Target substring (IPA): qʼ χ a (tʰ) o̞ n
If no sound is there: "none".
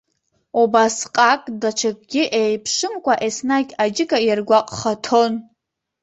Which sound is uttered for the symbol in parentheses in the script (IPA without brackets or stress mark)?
tʰ